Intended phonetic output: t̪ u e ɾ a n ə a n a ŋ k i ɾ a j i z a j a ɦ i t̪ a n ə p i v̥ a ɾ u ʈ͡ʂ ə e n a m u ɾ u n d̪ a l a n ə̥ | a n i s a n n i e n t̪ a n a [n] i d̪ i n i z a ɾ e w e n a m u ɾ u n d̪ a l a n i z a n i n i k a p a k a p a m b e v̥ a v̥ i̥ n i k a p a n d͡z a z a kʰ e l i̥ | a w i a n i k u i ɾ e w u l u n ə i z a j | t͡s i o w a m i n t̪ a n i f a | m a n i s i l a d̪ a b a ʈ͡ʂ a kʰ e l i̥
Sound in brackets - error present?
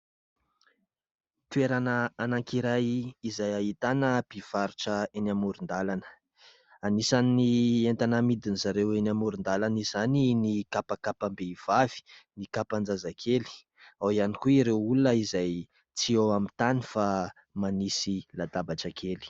yes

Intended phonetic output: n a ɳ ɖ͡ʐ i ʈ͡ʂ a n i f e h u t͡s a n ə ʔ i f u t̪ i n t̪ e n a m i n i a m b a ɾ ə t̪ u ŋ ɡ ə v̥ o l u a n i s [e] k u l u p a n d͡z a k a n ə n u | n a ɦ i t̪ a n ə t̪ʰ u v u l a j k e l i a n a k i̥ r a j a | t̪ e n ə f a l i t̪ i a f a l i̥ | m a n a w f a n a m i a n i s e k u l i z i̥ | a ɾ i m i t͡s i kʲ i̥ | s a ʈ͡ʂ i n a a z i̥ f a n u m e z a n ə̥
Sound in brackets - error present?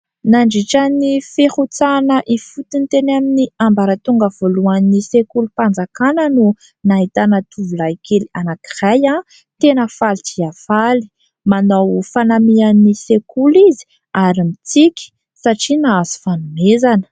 no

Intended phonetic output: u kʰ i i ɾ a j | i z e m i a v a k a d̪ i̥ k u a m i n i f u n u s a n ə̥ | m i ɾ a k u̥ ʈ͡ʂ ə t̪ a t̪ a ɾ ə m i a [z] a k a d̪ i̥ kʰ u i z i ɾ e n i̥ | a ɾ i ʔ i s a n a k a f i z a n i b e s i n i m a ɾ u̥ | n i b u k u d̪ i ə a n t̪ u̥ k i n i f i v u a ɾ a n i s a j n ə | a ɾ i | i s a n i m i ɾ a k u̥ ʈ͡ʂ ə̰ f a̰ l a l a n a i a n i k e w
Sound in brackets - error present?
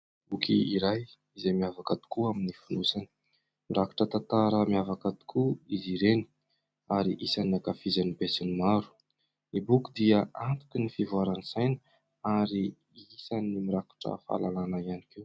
yes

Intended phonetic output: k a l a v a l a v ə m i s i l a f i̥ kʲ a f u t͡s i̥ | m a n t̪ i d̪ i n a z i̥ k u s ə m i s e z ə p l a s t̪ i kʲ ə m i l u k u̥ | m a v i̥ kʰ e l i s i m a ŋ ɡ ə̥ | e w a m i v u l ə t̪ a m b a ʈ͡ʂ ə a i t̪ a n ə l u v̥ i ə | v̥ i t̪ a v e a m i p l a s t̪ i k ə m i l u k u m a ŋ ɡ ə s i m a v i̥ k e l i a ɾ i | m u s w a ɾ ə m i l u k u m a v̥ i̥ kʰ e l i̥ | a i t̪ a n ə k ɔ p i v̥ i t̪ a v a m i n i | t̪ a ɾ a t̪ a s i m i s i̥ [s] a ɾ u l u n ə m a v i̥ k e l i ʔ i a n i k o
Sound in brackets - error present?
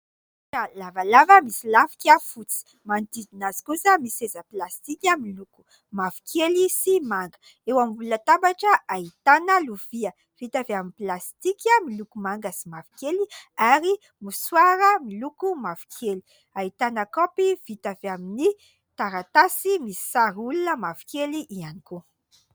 no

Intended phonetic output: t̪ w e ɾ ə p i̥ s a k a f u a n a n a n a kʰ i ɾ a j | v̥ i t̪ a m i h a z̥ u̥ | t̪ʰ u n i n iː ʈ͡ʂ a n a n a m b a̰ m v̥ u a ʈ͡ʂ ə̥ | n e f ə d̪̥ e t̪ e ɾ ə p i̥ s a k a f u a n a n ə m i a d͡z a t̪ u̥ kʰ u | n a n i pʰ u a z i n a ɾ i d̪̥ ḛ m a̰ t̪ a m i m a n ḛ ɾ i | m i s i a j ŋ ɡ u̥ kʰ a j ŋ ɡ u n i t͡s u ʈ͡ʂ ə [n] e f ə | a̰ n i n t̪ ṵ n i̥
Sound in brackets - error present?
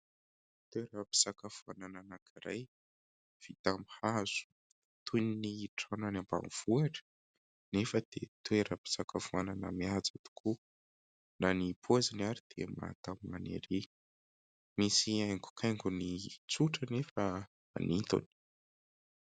no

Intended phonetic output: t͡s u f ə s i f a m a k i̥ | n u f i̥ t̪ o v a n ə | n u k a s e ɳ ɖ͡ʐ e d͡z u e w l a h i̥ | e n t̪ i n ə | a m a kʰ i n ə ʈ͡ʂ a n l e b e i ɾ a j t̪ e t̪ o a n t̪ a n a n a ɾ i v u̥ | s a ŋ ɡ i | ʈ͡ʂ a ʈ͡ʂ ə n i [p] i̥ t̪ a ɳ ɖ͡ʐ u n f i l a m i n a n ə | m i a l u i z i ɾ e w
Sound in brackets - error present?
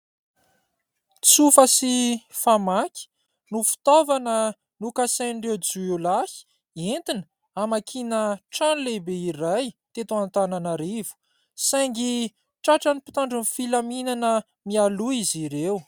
no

